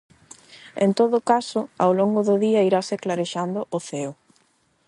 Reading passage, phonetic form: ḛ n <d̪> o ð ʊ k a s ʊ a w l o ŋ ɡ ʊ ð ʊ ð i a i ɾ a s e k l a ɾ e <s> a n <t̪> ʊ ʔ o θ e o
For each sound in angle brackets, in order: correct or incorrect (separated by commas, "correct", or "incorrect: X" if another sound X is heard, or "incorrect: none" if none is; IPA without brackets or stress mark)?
incorrect: t̪, incorrect: ʃ, incorrect: d̪